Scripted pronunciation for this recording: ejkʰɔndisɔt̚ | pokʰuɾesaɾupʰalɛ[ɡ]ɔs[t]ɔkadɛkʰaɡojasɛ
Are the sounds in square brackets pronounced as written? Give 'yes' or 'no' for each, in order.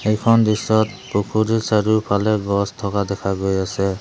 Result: yes, no

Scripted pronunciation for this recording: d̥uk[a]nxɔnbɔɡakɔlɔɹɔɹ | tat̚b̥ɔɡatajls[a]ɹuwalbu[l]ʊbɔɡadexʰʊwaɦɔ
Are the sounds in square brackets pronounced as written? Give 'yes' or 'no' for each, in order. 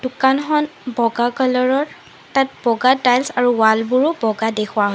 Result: yes, yes, no

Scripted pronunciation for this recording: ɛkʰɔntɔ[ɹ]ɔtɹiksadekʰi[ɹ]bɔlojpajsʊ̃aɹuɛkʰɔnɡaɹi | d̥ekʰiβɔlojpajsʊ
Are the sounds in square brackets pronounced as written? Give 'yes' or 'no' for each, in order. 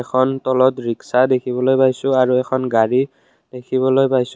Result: no, no

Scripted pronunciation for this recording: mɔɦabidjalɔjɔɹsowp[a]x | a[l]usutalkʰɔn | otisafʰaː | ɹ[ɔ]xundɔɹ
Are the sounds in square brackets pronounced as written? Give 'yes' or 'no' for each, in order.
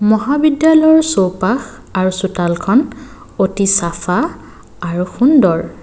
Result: yes, no, no

